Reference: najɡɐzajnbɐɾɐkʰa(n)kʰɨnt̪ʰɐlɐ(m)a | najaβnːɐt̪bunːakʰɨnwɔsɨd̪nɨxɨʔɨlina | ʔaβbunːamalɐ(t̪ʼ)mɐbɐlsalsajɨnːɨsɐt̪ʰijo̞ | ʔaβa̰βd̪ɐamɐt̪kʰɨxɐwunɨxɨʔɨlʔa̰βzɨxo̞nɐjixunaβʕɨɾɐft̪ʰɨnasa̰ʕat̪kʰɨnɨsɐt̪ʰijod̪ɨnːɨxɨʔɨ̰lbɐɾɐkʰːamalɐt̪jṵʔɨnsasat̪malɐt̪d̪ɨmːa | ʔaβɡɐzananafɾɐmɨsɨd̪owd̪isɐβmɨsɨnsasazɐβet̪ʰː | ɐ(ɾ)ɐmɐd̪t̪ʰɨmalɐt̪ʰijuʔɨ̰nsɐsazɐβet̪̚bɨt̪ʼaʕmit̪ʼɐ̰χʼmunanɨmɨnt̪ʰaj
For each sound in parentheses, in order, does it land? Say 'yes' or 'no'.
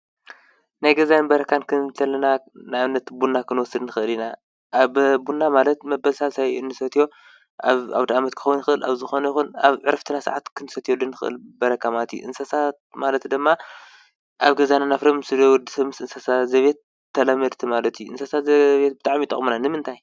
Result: yes, no, no, no

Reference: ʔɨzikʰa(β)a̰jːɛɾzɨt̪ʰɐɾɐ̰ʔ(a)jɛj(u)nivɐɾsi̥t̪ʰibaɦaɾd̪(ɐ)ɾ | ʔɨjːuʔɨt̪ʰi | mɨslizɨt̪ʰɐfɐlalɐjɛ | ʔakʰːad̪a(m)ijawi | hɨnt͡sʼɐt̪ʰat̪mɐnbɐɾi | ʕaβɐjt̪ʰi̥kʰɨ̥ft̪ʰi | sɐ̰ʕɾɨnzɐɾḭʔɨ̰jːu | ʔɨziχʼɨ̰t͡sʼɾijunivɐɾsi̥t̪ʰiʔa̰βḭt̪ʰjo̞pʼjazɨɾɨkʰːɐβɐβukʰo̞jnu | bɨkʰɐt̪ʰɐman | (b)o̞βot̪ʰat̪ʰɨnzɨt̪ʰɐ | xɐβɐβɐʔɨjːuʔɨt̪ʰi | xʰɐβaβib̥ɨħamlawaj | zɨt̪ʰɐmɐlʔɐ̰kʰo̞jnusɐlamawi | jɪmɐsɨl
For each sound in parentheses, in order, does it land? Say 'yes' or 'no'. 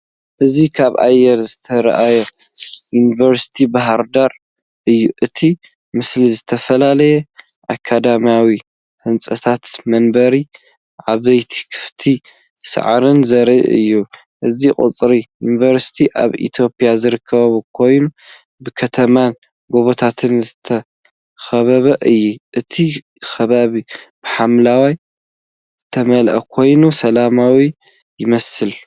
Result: yes, yes, yes, no, yes, no

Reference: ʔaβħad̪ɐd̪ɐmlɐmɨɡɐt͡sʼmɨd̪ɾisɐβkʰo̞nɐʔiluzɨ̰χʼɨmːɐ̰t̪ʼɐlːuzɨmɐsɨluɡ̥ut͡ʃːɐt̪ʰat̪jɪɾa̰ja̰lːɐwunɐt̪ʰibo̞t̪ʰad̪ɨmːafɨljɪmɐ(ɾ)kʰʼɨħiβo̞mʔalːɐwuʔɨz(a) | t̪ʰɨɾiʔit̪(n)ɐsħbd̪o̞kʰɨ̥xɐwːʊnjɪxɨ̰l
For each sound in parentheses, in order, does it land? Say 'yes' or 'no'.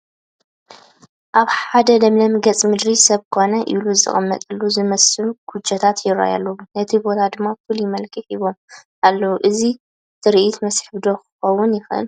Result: no, no, no

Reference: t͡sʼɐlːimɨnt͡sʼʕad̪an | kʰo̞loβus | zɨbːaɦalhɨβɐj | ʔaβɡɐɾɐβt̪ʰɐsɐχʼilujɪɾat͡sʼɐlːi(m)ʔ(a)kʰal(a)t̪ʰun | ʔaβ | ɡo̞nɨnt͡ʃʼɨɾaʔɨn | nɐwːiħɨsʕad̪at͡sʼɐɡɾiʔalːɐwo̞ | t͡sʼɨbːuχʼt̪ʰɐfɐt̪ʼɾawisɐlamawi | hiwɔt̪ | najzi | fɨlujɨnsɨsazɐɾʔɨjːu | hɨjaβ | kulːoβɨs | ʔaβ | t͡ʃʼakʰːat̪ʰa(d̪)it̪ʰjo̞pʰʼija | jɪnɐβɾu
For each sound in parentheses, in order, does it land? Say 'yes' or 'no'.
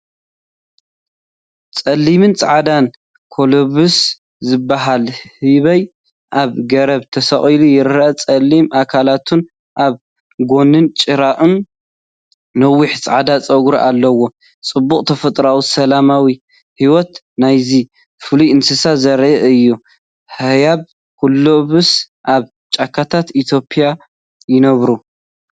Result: yes, yes, yes, no

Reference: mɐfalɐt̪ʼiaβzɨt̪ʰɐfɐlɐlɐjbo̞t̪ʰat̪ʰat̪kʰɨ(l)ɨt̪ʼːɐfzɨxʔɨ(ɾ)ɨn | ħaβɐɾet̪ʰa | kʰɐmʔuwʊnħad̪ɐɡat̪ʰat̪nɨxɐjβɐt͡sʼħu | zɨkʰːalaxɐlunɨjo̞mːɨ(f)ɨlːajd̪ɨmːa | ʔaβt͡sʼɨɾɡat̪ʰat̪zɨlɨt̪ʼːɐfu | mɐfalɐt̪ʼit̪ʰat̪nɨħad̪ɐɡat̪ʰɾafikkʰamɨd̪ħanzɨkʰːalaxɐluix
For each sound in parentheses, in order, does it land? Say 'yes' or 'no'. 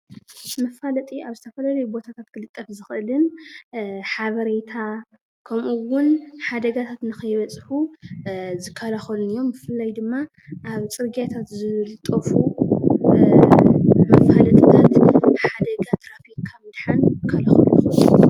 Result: yes, no, yes

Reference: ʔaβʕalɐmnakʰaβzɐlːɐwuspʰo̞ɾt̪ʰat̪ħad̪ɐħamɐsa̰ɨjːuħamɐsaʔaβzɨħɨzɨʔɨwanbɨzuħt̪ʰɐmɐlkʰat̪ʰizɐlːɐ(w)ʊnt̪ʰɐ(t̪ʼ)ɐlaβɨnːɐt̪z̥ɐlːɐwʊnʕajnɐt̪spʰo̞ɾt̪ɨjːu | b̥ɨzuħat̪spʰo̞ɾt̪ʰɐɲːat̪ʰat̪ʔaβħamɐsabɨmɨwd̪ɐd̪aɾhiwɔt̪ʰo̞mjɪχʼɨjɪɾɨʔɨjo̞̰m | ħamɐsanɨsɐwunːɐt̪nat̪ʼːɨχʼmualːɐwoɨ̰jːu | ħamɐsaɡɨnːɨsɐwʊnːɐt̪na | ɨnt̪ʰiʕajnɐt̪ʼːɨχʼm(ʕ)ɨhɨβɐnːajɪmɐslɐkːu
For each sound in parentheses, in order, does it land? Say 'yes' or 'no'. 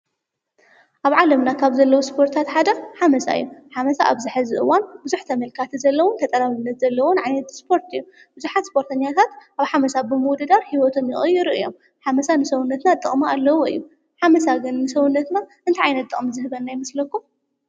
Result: yes, yes, no

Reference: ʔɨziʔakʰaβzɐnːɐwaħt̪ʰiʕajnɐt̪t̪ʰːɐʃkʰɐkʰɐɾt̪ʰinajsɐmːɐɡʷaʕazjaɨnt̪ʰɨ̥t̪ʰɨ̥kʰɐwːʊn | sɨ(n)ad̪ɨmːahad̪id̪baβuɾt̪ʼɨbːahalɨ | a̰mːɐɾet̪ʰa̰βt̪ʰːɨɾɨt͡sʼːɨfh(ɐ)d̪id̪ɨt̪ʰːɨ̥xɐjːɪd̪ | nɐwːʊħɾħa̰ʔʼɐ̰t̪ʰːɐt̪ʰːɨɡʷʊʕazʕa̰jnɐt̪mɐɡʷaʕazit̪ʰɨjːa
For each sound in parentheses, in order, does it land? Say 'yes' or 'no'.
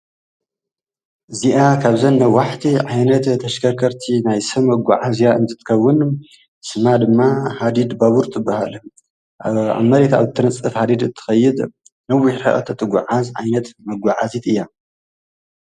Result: no, no

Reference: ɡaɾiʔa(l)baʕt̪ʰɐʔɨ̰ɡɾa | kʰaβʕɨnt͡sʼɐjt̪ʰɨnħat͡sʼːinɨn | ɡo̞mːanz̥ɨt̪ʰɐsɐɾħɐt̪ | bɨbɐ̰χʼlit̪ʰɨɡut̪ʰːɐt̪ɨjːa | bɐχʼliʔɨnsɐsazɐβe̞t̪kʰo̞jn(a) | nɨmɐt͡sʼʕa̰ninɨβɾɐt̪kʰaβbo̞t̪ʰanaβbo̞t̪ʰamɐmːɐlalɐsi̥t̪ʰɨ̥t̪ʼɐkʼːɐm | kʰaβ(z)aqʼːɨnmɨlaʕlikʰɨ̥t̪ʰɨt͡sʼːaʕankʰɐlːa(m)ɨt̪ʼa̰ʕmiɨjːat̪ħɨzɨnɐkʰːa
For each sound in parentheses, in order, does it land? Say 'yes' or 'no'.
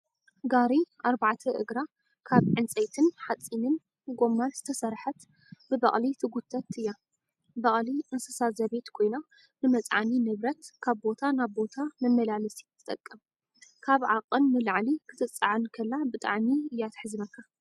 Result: no, yes, no, no

